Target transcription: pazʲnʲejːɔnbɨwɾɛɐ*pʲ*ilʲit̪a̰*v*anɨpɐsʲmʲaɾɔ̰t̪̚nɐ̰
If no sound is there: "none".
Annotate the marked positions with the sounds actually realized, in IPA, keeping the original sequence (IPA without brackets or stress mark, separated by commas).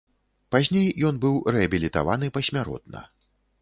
bʲ, v